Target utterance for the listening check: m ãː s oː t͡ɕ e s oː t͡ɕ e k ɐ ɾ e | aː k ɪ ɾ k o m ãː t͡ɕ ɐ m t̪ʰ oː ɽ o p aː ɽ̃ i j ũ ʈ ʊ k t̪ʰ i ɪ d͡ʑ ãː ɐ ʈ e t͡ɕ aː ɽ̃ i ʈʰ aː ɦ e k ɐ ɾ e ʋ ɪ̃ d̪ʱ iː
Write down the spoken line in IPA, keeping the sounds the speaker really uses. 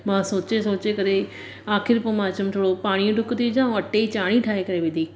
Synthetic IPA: m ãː s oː t͡ɕ e s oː t͡ɕ e k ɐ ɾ e | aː x ɪ ɾ p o m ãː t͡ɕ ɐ m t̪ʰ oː ɽ o p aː ɽ̃ i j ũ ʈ ʊ k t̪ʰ i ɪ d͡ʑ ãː ɐ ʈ e t͡ɕ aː ɽ̃ i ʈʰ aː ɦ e k ɐ ɾ e ʋ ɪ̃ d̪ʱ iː